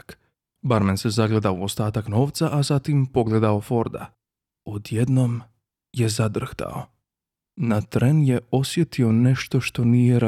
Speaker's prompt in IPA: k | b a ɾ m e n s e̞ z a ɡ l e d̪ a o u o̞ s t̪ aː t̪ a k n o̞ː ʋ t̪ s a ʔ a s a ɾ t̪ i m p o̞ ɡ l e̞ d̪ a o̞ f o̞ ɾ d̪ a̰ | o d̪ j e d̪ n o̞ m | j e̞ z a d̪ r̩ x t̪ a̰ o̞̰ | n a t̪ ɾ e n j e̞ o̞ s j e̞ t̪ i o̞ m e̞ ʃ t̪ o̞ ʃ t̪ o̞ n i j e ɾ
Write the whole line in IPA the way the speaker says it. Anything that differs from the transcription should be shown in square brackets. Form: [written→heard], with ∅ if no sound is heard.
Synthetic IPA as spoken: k | b a ɾ m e n s e̞ z a ɡ l e d̪ a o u o̞ s t̪ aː t̪ a k n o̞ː ʋ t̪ s a ʔ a [s→z] a [ɾ→∅] t̪ i m p o̞ ɡ l e̞ d̪ a o̞ f o̞ ɾ d̪ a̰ | o d̪ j e d̪ n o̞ m | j e̞ z a d̪ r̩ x t̪ a̰ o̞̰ | n a t̪ ɾ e n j e̞ o̞ s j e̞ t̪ i o̞ [m→n] e̞ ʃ t̪ o̞ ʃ t̪ o̞ n i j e ɾ